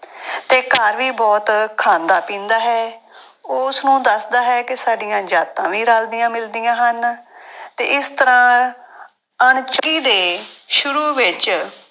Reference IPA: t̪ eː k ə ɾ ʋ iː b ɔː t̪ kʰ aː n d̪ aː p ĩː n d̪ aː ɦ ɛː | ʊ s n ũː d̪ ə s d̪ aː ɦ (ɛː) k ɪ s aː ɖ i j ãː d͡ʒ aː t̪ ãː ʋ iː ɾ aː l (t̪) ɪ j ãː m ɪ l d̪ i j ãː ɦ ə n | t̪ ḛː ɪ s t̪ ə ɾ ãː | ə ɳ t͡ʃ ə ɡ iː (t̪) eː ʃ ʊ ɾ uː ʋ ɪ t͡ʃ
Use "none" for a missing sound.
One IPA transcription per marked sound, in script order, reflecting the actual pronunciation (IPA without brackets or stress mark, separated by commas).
ɛː, d̪, d̪